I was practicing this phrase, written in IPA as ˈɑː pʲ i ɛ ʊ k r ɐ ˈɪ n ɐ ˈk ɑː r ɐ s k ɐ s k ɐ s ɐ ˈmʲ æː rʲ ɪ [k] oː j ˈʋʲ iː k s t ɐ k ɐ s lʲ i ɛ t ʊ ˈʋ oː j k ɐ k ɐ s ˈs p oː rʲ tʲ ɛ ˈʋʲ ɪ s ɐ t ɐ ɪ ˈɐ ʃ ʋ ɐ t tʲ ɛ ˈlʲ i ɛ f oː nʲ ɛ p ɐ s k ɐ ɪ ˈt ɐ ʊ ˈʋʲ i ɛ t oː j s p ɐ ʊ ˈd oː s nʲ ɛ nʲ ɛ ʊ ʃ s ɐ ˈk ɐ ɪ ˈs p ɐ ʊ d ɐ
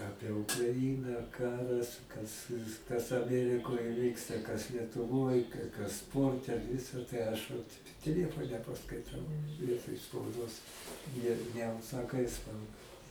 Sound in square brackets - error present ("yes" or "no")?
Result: no